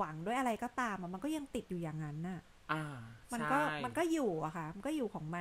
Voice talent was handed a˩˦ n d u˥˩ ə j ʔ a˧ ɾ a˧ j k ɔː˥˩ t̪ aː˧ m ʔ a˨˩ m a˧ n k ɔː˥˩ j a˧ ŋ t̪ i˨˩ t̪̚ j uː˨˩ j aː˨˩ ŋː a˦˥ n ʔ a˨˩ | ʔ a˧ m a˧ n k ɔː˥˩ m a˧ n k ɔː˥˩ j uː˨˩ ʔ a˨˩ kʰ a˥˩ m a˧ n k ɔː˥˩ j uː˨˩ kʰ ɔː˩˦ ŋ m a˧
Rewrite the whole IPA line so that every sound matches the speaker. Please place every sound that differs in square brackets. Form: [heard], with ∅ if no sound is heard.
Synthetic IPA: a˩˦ [ŋ] d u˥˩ ə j ʔ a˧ ɾ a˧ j k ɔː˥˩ t̪ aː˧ m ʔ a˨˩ m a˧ n k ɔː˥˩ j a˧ ŋ t̪ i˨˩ t̪̚ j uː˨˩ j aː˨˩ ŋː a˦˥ n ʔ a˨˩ | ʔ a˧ m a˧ n k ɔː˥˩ m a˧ n k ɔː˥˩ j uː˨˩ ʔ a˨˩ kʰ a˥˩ m a˧ n k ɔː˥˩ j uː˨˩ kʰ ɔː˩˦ ŋ m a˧